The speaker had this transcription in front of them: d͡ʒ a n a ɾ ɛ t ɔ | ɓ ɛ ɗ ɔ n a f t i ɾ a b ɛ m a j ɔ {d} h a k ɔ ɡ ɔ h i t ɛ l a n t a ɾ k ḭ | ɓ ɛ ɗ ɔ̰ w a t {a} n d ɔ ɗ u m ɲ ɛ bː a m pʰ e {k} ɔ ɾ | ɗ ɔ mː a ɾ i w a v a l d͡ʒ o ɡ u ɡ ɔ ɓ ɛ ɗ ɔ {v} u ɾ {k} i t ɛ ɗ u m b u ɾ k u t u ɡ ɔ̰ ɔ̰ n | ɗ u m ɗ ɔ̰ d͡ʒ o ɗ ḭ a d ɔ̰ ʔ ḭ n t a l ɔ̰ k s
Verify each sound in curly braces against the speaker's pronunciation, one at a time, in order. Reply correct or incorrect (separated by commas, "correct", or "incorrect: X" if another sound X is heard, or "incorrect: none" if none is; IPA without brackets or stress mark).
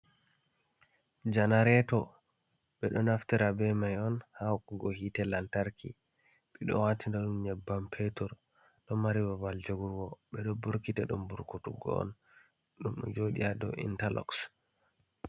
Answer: incorrect: n, incorrect: i, incorrect: t, incorrect: b, correct